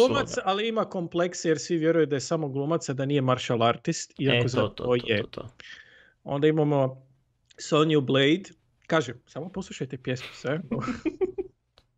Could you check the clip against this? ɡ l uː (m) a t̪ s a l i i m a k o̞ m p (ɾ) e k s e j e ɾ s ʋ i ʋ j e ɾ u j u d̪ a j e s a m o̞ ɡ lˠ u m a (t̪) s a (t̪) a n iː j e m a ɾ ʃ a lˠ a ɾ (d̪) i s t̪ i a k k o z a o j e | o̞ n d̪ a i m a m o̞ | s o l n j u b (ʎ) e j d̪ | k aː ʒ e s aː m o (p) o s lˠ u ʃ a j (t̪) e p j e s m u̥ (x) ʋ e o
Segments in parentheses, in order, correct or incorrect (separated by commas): correct, incorrect, correct, incorrect, incorrect, incorrect, correct, correct, incorrect